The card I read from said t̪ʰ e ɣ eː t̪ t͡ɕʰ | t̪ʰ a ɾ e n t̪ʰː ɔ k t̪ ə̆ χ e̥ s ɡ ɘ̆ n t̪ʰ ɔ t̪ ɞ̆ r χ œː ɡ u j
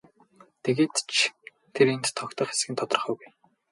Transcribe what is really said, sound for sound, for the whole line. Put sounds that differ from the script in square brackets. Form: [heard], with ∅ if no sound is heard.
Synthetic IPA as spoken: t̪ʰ e ɣ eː t̪ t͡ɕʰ | t̪ʰ [e] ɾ e n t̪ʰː ɔ k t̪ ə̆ χ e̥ s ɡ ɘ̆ n t̪ʰ ɔ t̪ ɞ̆ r χ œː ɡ u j